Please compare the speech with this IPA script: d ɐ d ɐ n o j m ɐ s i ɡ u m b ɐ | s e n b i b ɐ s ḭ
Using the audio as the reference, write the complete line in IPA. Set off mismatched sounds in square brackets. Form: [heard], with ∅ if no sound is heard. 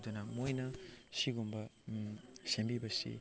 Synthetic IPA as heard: d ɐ [n] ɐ [m] o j [n] ɐ s i ɡ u m b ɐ | s e [m] b i b ɐ s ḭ